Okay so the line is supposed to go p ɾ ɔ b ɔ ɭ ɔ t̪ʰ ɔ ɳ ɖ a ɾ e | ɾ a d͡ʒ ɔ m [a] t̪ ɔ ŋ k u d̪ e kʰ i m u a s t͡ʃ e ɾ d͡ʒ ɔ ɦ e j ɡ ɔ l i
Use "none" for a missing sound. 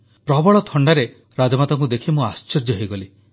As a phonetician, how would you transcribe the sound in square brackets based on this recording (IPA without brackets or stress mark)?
a